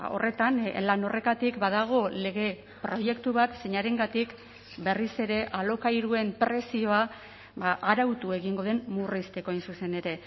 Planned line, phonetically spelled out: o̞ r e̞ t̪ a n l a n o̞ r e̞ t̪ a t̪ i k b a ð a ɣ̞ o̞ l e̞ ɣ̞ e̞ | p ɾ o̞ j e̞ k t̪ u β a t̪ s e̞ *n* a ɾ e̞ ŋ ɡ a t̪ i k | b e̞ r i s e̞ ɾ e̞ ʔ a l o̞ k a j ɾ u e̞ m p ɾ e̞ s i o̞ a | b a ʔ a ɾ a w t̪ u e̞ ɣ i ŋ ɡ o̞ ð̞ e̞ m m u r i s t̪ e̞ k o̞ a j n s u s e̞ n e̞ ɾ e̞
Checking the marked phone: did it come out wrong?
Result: yes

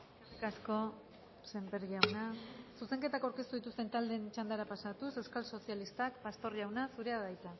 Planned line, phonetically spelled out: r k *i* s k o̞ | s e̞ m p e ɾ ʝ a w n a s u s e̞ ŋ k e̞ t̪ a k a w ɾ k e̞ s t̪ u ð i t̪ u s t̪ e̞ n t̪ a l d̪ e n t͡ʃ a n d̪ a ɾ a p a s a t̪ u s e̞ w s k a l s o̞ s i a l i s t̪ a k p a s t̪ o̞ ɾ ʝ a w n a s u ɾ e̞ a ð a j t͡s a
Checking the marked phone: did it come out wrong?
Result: yes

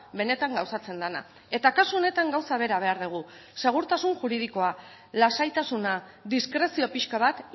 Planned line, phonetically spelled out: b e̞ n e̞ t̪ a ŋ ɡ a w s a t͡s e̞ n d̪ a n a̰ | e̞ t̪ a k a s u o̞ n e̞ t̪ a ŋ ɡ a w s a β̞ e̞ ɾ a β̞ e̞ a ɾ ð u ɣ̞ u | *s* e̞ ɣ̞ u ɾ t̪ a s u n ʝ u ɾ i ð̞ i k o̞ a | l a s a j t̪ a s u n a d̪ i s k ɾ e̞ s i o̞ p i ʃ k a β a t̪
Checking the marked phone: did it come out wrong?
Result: no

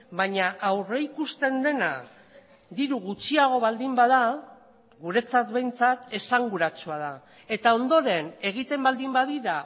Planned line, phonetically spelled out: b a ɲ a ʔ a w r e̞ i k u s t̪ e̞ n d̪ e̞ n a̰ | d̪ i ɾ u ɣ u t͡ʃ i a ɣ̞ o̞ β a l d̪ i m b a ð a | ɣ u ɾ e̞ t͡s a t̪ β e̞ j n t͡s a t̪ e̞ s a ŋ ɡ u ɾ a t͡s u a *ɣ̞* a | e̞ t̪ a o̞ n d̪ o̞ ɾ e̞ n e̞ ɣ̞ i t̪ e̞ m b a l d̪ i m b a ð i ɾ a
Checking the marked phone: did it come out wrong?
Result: yes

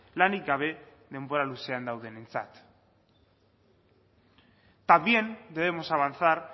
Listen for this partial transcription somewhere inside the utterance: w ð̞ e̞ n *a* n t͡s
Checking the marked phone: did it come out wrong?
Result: yes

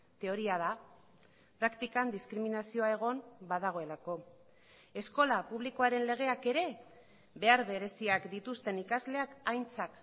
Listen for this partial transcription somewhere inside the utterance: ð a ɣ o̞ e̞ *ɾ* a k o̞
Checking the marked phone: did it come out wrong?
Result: yes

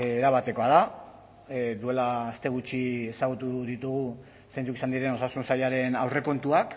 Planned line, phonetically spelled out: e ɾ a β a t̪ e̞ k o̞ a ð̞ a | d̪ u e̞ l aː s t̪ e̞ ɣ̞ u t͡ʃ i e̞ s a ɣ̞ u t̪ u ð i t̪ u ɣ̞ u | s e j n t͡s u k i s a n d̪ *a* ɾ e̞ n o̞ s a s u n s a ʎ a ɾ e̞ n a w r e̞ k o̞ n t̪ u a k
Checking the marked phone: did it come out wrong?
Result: yes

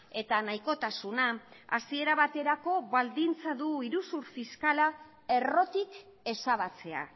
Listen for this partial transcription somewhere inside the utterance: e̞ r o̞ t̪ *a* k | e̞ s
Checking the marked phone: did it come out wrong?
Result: yes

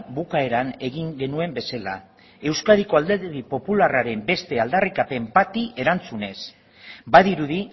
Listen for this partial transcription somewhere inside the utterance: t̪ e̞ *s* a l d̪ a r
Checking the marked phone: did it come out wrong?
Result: yes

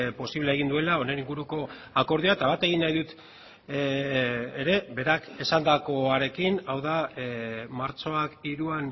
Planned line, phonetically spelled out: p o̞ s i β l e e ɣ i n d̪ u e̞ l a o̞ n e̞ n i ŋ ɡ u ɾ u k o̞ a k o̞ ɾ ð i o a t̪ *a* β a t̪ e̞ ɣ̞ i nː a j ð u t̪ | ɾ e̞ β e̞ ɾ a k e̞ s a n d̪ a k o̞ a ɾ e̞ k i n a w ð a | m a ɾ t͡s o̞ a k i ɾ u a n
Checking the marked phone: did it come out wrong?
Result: no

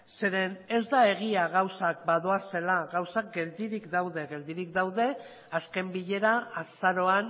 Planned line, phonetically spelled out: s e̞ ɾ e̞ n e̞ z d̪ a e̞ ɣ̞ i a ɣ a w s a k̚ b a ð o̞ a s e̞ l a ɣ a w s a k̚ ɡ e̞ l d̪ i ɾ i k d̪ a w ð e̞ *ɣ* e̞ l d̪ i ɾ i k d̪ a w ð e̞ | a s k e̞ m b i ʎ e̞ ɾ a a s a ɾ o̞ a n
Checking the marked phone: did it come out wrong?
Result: no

